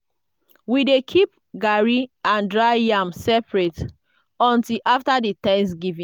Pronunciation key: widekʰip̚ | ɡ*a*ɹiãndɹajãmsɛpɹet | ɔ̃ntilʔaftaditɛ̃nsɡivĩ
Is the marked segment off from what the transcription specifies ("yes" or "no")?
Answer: no